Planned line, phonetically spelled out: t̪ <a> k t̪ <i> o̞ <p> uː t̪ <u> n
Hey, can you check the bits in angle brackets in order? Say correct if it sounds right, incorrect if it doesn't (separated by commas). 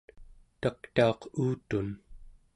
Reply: correct, incorrect, incorrect, correct